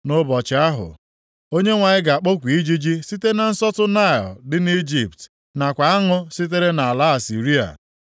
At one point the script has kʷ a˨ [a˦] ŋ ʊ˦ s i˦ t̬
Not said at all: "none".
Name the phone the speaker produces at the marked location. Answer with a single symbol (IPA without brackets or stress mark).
a˦